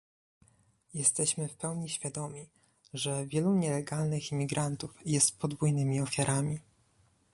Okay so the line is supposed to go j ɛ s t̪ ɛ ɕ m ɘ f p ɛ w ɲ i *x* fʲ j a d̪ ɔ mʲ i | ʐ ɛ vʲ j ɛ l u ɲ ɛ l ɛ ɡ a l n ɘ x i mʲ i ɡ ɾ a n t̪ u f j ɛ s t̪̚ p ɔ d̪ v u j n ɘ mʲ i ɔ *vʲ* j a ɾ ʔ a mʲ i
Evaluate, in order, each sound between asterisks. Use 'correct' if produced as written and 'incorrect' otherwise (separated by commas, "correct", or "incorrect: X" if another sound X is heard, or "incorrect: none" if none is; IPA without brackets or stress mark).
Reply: incorrect: ɕ, incorrect: fʲ